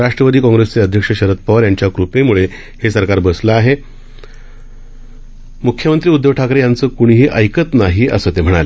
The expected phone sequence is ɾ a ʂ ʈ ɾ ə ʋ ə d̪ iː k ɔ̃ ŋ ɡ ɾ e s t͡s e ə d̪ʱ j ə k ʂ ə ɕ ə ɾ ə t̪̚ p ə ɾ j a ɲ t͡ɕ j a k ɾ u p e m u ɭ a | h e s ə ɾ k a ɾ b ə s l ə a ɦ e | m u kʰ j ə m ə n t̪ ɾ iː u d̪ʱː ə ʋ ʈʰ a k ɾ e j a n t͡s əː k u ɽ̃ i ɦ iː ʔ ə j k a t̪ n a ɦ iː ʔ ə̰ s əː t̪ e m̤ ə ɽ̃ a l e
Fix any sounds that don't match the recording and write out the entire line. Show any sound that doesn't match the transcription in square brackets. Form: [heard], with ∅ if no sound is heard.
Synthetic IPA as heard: ɾ a ʂ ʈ ɾ ə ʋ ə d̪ iː k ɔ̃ ŋ ɡ ɾ e s t͡s e ə d̪ʱ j ə k ʂ ə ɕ ə ɾ ə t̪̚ p ə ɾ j a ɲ t͡ɕ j a k ɾ u p e m u ɭ [e] | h e s ə ɾ k a ɾ b ə s l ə a ɦ e | m u kʰ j ə m ə n t̪ ɾ iː u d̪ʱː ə ʋ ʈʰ a k ɾ e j a n t͡s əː k u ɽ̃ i ɦ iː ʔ ə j k [ə] t̪ n a ɦ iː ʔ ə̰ s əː t̪ e m̤ ə ɽ̃ a l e

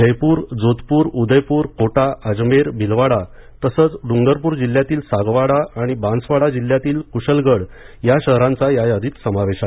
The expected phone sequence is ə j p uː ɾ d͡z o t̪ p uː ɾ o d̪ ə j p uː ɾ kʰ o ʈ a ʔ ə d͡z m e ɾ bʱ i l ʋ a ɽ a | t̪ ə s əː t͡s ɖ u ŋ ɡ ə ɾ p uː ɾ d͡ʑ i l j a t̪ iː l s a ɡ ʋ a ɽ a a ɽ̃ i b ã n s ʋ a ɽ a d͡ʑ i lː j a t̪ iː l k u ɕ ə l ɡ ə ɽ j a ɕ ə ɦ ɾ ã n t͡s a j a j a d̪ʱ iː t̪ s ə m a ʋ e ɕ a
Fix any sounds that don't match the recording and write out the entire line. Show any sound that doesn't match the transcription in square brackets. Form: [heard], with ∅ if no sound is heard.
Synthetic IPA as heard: ə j p uː ɾ d͡z o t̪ p uː ɾ [u] d̪ ə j p uː ɾ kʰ o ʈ a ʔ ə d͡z m e ɾ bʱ i l ʋ a ɽ a | t̪ ə s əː t͡s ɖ u ŋ ɡ ə ɾ p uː ɾ d͡ʑ i l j a t̪ iː l s a ɡ ʋ a ɽ a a ɽ̃ i b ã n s ʋ a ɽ a d͡ʑ i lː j a t̪ iː l k u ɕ ə l ɡ ə ɽ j a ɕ ə ɦ ɾ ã n t͡s a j a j a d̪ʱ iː t̪ s ə m a ʋ e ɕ a

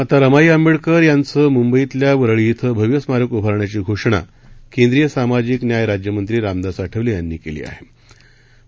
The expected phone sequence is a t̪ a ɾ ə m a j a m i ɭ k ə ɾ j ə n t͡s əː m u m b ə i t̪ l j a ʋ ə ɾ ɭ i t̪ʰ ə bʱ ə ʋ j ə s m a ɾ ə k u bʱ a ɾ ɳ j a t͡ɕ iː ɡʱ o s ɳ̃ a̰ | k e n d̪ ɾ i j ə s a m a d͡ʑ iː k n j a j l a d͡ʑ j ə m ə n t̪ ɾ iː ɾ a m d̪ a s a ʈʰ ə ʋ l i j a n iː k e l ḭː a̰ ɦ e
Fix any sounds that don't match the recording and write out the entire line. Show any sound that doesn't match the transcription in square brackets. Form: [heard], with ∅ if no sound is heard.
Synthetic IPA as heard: a t̪ a ɾ ə m a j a m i ɭ k ə ɾ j [a] n t͡s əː m u m b ə i t̪ l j a ʋ ə ɾ ɭ i t̪ʰ ə bʱ ə ʋ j ə s m a ɾ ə k u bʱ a ɾ ɳ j a t͡ɕ iː ɡʱ o [ʂ] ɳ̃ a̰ | k e n d̪ ɾ i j ə s a m a d͡ʑ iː k n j a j [ɾ] a d͡ʑ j ə m ə n t̪ ɾ iː ɾ a m d̪ a s a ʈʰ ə ʋ l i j a [nː] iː k e l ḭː a̰ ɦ e

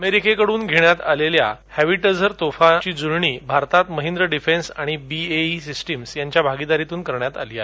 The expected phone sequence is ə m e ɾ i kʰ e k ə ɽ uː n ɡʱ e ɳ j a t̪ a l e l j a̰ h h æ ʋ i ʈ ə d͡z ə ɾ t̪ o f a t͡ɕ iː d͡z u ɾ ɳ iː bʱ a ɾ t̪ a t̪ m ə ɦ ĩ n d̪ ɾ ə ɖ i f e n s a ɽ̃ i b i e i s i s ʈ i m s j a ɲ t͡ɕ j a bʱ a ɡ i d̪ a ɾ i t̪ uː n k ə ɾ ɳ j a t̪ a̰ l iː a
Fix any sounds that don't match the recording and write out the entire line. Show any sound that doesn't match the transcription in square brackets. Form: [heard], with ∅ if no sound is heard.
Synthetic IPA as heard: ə m e ɾ i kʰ e k ə ɽ uː n ɡʱ e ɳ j a t̪ a l e l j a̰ h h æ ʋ i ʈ ə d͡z ə ɾ t̪ o f a t͡ɕ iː d͡z u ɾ ɳ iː bʱ a ɾ t̪ a t̪ m ə ɦ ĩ n d̪ ɾ ə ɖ i f e n s a ɽ̃ i b i e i s i s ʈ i m s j a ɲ t͡ɕ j a bʱ a ɡ i d̪ a ɾ i t̪ uː n k ə ɾ ɳ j a t̪ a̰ l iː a

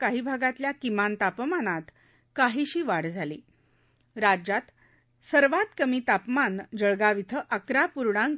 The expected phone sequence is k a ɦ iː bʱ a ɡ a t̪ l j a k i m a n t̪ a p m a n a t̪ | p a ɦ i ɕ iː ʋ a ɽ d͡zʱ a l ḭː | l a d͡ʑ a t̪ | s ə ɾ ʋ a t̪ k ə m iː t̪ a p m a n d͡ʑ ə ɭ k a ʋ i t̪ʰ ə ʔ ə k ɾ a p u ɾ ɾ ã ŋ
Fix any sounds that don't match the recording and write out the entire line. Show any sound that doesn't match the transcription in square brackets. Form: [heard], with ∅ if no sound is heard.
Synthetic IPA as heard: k a ɦ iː bʱ a ɡ a t̪ l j a k i m a n t̪ a p m a n a t̪ | [k] a ɦ i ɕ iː ʋ a ɽ d͡zʱ a l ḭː | [ɾ] a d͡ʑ a t̪ | s ə ɾ ʋ a t̪ k ə m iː t̪ a p m a n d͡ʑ ə ɭ [ɡ] a ʋ i t̪ʰ ə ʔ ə k ɾ a p u ɾ [ɽ] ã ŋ

